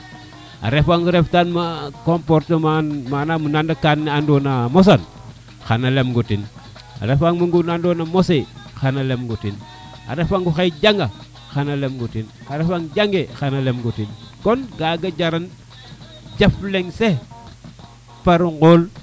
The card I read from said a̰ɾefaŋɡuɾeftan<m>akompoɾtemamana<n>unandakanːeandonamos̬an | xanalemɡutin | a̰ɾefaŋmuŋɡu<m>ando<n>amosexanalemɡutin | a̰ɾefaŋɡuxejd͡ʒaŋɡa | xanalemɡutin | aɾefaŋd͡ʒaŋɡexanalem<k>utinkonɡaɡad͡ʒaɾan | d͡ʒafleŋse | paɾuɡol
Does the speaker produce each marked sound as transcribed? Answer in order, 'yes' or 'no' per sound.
yes, no, no, yes, no

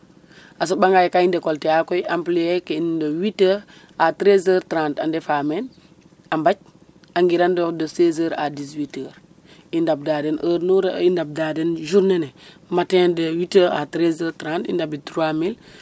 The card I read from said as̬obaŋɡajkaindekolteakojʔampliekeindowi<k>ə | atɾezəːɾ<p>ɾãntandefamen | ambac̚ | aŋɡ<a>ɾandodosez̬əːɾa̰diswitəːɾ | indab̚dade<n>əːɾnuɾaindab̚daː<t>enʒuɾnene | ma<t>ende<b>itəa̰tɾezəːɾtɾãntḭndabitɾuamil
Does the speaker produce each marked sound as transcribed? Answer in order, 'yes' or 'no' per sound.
no, no, no, yes, no, yes, no

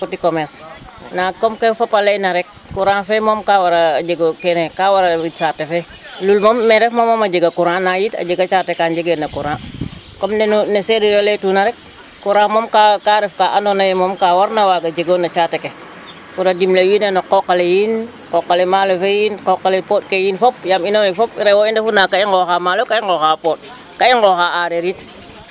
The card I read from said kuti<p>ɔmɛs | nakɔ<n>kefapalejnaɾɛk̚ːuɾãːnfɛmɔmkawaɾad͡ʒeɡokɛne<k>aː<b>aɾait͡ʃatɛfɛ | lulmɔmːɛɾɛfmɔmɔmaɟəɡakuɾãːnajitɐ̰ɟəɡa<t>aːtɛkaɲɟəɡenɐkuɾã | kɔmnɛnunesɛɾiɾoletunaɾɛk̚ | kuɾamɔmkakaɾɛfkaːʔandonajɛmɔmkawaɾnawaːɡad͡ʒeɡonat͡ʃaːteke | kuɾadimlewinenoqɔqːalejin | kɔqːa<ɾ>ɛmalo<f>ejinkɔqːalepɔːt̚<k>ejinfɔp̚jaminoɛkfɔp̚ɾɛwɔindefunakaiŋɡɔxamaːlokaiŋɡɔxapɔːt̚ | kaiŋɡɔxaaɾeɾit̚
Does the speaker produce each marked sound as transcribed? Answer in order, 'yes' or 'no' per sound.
no, no, yes, no, no, no, yes, yes

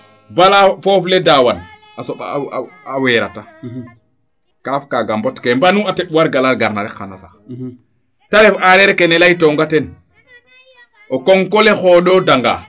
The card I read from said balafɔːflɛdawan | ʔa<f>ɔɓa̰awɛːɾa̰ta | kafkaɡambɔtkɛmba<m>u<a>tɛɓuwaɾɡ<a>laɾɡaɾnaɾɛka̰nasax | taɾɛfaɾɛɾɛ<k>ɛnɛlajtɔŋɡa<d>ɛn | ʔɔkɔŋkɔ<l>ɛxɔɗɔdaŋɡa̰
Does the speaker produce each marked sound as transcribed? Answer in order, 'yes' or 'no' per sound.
no, no, yes, yes, yes, no, yes

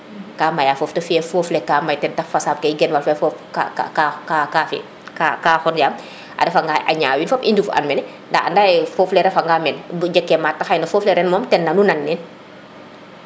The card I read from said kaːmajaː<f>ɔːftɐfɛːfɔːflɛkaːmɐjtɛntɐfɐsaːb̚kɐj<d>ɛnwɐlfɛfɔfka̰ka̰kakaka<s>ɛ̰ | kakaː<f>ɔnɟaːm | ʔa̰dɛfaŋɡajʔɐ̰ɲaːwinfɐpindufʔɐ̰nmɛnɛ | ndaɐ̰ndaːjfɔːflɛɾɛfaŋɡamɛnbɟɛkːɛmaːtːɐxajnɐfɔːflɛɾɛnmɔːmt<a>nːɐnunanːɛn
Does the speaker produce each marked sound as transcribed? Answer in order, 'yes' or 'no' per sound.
yes, no, no, no, no

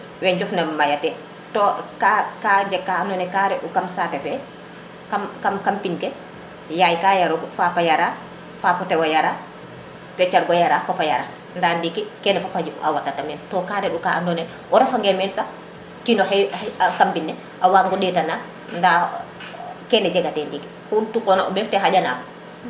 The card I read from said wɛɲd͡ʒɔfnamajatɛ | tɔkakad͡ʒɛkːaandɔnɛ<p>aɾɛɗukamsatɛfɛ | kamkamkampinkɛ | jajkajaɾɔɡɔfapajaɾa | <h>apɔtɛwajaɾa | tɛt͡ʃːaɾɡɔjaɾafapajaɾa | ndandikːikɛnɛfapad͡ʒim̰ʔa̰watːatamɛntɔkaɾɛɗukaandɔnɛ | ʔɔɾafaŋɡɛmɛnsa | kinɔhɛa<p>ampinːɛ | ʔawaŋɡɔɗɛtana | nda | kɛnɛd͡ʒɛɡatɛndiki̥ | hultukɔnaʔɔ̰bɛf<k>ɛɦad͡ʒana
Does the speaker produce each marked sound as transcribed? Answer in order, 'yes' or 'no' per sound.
no, no, no, no

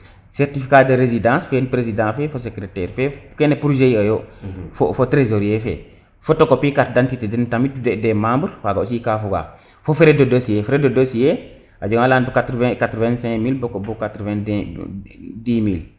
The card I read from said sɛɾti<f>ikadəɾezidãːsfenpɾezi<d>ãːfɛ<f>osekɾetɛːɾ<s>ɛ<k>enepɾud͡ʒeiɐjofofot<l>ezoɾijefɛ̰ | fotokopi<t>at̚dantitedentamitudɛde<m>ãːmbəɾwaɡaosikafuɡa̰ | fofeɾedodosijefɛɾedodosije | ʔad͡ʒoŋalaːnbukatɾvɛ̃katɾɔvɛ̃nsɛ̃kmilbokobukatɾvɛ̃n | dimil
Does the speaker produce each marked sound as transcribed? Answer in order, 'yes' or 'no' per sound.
yes, yes, yes, no, yes, no, no, yes

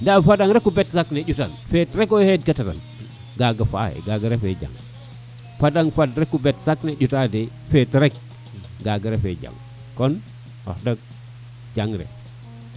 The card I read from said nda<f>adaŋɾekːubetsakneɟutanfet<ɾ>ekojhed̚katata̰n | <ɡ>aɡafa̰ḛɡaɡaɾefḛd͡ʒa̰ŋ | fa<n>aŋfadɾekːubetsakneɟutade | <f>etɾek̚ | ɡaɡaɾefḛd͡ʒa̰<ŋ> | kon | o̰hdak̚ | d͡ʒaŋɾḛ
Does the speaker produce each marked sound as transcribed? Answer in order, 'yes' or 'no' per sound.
yes, yes, yes, no, yes, yes

